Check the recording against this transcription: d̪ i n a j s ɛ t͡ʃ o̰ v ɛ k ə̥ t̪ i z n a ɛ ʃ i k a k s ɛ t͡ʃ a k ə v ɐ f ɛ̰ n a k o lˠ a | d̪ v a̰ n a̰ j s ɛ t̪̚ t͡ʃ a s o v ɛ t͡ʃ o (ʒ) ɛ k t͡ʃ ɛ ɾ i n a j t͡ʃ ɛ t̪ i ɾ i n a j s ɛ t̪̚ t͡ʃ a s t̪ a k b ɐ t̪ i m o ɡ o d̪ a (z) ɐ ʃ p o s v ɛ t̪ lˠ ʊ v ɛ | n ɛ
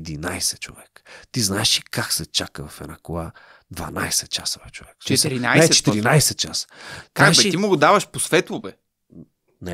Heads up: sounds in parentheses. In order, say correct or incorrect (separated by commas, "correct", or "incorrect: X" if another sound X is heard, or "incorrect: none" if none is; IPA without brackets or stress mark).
incorrect: v, incorrect: v